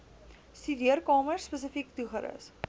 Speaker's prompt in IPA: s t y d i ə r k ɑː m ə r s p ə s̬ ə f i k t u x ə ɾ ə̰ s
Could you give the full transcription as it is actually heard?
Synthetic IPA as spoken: s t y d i ə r k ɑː m ə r s p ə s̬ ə f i k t u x ə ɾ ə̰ s